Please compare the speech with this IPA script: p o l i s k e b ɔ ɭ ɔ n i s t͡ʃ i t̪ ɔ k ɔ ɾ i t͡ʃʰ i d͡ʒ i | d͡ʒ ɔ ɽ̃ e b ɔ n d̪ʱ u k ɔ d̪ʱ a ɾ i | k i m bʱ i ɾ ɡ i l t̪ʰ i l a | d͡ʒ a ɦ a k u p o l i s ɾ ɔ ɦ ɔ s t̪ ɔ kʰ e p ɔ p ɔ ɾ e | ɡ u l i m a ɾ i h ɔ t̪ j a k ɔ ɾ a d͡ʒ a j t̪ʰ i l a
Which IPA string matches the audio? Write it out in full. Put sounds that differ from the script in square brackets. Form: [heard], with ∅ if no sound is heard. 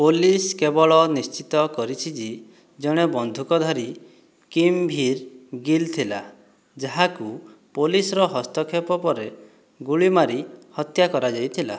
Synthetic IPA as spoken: p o l i s k e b ɔ ɭ ɔ n i s t͡ʃ i t̪ ɔ k ɔ ɾ i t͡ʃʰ i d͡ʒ i | d͡ʒ ɔ ɽ̃ e b ɔ n d̪ʱ u k ɔ d̪ʱ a ɾ i | k i m bʱ i ɾ ɡ i l t̪ʰ i l a | d͡ʒ a ɦ a k u p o l i s ɾ ɔ ɦ ɔ s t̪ ɔ kʰ e p ɔ p ɔ ɾ e | ɡ u [ɭ] i m a ɾ i h ɔ t̪ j a k ɔ ɾ a d͡ʒ a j t̪ʰ i l a